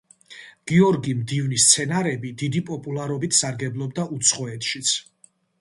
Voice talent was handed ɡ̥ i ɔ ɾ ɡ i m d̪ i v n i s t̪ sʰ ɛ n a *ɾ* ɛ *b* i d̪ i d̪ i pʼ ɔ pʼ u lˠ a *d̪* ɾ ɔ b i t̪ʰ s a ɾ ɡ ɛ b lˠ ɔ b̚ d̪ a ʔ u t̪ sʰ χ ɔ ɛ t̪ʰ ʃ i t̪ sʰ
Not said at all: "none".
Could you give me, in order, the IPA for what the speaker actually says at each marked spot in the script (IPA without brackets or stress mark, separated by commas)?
ɾ, b, none